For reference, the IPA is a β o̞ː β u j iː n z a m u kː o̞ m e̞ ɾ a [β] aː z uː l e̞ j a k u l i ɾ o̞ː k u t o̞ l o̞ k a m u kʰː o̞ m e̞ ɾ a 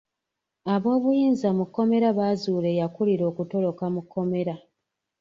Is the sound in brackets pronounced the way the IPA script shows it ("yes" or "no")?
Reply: yes